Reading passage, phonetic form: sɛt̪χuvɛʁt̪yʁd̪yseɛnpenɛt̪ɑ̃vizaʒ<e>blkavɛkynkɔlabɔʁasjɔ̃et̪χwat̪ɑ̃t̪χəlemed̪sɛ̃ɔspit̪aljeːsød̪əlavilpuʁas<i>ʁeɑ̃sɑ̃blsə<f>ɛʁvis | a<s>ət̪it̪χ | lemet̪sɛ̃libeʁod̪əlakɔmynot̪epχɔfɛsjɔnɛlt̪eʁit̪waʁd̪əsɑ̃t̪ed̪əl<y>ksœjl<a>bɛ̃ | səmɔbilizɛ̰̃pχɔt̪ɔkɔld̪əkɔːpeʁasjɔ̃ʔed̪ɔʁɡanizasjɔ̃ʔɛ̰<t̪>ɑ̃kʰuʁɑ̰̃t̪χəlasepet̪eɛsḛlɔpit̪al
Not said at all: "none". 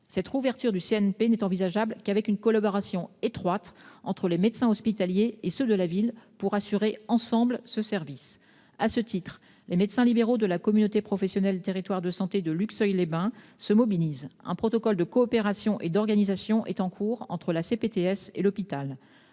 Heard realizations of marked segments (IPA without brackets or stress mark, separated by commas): a, y, s, s, y, e, t̪